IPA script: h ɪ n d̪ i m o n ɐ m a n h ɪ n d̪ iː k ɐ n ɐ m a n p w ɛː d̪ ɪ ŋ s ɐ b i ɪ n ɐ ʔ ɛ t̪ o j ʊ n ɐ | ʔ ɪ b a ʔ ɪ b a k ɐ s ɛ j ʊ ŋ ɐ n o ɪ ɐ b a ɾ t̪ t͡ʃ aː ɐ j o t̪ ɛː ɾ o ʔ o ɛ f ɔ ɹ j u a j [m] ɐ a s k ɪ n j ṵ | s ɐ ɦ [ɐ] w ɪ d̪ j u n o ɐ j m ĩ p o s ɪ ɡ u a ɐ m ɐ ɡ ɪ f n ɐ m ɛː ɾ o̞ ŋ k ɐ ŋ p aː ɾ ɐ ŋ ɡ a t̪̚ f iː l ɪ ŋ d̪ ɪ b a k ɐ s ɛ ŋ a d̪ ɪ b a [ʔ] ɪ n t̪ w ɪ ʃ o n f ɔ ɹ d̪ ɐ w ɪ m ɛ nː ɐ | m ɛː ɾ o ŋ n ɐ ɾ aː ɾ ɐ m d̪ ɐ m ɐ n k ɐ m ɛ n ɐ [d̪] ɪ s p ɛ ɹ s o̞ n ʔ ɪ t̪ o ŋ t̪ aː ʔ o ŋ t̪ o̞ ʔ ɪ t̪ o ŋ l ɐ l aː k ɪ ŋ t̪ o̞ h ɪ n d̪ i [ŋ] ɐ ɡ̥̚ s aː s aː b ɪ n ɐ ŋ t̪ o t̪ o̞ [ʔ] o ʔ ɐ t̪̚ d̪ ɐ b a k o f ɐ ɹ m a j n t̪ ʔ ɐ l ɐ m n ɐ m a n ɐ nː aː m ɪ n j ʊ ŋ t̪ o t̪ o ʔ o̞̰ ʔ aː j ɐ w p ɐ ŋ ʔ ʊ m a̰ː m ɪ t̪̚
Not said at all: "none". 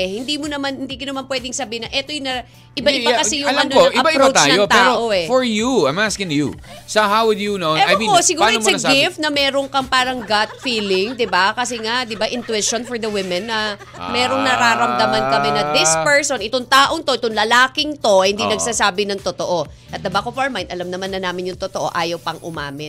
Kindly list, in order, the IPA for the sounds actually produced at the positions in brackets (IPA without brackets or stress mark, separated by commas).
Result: m, a, ʔ, d̪, n, ʔ